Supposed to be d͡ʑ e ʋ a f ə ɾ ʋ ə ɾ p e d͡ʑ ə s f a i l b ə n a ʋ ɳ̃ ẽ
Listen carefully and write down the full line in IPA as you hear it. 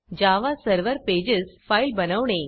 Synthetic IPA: d͡ʑ a ʋ a s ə ɾ ʋ ə ɾ p e d͡ʑ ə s f a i l b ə n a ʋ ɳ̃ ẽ